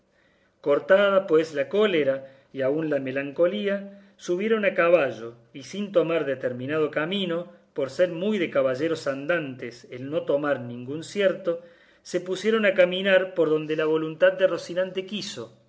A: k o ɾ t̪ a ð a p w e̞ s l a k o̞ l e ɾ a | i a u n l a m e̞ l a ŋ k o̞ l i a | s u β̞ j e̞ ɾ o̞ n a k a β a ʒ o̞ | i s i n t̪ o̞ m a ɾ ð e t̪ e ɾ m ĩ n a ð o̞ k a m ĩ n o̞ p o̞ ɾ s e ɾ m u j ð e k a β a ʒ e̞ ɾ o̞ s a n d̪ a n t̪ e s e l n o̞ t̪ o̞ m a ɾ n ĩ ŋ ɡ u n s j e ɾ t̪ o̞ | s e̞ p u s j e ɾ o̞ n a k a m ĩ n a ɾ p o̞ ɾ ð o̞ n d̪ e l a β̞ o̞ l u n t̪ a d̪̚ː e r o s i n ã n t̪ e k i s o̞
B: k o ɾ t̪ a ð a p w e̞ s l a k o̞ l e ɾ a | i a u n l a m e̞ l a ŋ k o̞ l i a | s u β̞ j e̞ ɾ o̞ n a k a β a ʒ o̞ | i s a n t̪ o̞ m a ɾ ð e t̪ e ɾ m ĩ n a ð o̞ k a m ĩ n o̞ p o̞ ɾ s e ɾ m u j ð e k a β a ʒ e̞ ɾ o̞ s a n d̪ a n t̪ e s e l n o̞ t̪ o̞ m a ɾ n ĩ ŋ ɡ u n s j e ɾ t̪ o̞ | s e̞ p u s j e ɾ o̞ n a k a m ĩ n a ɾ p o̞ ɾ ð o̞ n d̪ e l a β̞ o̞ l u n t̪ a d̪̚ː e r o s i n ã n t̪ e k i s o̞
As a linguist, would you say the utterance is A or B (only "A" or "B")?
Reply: A